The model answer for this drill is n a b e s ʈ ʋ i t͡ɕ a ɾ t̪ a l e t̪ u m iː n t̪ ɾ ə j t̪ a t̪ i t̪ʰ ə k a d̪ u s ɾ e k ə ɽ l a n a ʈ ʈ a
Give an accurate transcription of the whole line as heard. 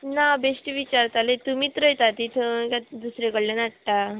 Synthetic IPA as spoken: n a b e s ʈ ʋ i t͡ɕ a ɾ t̪ a l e t̪ u m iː t̪ ɾ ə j t̪ a t̪ i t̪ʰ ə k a d̪ u s ɾ e k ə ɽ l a n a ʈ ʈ a